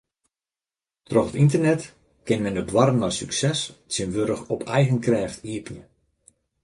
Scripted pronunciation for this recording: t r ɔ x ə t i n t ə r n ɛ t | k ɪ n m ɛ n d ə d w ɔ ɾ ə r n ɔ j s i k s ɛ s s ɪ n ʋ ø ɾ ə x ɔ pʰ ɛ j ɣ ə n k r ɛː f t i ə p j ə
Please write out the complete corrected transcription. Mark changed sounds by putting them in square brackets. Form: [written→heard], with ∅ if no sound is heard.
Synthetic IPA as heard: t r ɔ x ə t i n t ə r n ɛ t | k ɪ n m ɛ n d ə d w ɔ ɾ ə [r→∅] n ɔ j s [i→y] k s ɛ s s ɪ n ʋ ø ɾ ə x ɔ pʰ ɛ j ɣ ə n k r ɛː f t i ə p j ə